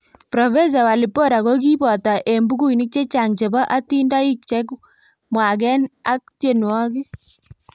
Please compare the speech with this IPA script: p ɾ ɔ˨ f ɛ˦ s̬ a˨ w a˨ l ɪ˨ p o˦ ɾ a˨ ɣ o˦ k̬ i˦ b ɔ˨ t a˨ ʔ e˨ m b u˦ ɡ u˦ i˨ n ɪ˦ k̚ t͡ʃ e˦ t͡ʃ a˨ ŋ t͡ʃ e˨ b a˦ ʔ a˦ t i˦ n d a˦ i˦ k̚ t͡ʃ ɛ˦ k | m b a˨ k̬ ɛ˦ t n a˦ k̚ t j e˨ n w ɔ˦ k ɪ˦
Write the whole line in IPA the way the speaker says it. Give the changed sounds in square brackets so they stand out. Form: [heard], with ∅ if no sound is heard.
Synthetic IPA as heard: p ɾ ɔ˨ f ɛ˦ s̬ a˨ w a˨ l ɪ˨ p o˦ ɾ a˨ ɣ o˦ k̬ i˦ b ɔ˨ t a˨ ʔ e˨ m b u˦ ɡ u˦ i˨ n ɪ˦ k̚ t͡ʃ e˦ t͡ʃ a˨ ŋ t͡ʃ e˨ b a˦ ʔ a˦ t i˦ n d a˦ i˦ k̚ t͡ʃ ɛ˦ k | m [w] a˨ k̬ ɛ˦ [∅] n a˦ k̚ t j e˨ n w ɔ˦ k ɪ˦

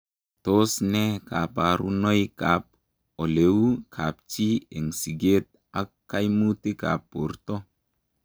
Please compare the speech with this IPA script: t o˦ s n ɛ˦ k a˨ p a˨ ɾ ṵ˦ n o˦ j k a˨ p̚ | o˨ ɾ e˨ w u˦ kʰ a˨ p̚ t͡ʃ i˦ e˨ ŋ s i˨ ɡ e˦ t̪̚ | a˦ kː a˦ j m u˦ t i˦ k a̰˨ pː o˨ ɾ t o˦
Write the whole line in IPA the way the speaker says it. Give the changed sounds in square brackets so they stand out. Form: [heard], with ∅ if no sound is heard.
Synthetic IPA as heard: t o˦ s n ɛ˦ k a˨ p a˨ ɾ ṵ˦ n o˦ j k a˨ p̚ | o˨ [l] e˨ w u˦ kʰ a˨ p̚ t͡ʃ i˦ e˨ ŋ s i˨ ɡ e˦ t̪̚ | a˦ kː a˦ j m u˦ t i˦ k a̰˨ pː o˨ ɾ t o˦

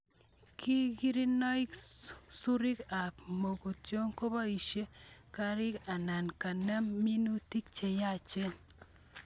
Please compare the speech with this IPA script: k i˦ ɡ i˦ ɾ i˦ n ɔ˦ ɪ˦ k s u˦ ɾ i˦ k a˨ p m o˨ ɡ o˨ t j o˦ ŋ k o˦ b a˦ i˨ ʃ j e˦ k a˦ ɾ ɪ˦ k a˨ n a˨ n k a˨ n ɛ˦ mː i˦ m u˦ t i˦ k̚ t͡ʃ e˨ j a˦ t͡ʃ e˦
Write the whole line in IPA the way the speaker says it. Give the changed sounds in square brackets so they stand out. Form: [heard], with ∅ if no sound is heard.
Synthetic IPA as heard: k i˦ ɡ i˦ ɾ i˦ n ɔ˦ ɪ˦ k s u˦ ɾ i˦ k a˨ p m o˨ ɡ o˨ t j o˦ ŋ k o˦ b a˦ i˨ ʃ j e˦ k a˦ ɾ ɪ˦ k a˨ n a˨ n k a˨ n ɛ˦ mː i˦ [n] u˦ t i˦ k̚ t͡ʃ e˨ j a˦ t͡ʃ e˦

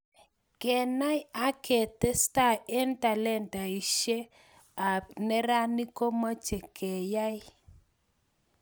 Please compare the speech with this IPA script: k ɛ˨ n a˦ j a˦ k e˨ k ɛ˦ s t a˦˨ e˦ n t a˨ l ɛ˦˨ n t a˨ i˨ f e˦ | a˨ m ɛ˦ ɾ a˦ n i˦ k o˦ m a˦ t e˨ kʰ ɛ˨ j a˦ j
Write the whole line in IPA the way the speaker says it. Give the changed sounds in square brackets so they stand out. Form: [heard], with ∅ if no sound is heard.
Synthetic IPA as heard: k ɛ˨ n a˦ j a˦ k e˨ [t] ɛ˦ s t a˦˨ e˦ n t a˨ l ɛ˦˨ n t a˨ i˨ [ʃ] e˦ | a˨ [n] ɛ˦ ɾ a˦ n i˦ k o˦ m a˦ [t͡ʃ] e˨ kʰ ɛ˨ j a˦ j

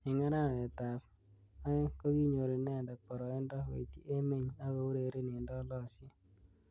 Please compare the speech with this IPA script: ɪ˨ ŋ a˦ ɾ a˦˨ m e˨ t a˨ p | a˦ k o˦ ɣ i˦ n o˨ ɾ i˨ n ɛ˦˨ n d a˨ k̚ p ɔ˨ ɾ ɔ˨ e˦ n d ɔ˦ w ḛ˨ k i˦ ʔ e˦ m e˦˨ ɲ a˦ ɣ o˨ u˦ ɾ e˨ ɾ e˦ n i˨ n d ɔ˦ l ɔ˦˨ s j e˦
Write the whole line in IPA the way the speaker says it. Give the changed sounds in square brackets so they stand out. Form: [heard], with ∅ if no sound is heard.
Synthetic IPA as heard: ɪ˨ ŋ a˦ ɾ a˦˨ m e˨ t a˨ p | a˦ k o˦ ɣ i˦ [ɲ] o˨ ɾ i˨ n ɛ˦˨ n d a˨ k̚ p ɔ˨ ɾ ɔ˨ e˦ n d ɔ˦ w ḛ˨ [t] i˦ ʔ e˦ m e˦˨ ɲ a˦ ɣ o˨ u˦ ɾ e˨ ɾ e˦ n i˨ n d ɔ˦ l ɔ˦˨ s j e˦

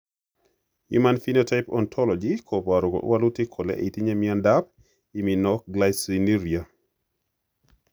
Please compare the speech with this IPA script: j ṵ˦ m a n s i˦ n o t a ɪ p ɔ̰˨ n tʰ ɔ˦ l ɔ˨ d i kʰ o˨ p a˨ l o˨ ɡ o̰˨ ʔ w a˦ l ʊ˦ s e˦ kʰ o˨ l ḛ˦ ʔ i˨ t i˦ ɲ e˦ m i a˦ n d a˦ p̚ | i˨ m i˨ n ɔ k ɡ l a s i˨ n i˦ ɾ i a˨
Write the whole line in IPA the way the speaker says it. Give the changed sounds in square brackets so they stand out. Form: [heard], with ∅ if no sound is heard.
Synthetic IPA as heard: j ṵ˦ m a n [f] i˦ n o t a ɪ p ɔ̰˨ n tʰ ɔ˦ l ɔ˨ [d͡ʒ] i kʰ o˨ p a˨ [ɾ] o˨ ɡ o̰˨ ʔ w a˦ l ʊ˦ [t] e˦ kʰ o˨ l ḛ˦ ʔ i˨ t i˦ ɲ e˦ m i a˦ n d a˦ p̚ | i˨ m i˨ n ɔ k ɡ l a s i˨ n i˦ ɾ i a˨

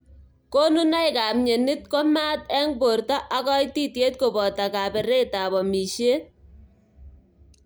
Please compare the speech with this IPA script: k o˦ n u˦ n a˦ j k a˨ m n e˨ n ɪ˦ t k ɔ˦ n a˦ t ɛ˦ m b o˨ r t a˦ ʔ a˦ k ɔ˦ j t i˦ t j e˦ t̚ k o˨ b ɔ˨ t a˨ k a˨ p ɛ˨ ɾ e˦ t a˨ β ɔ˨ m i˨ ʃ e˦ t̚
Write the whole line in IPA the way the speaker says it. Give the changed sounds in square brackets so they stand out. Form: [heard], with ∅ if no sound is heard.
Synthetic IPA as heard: k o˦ n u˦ n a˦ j k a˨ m [ɲ] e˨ n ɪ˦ t k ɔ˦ [m] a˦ t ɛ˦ [ŋ] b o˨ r t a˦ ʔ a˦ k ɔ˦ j t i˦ t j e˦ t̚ k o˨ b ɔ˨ t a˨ k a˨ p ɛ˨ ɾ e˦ t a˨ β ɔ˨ m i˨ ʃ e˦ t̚

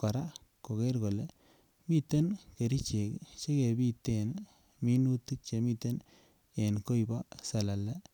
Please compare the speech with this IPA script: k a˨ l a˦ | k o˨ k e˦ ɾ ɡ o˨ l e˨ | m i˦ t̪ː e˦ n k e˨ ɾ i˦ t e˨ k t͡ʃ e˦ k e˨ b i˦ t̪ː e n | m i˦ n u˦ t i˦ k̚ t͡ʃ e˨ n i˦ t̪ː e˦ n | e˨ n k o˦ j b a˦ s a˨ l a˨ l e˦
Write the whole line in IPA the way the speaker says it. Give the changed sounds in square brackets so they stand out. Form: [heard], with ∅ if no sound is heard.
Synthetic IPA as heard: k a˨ [ɾ] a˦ | k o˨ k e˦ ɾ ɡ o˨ l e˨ | m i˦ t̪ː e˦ n k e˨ ɾ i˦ [t͡ʃ] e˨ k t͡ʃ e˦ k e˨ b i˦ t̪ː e n | m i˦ n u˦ t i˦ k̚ t͡ʃ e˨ [m] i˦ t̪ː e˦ n | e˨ n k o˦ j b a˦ s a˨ l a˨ l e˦

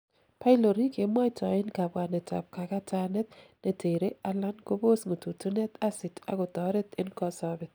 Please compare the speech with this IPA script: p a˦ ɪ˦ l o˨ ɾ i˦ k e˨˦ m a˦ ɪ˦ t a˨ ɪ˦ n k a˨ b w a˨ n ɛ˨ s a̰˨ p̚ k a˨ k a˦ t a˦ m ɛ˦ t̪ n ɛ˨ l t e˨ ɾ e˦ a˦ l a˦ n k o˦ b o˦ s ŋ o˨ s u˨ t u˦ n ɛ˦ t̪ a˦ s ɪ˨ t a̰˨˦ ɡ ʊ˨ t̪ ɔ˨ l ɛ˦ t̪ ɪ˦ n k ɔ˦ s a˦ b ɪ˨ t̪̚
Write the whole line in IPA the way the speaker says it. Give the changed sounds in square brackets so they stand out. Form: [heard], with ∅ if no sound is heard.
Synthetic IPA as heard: p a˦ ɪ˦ l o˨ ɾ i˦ k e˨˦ m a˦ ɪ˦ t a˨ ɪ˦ n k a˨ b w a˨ n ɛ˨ [t] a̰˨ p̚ k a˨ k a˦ t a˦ [n] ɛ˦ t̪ n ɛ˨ [∅] t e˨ ɾ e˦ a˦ l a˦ n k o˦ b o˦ s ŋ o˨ [t] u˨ t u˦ n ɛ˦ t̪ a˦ s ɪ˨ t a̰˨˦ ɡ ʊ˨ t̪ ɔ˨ [ɾ] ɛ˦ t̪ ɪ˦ n k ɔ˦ s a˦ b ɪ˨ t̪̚

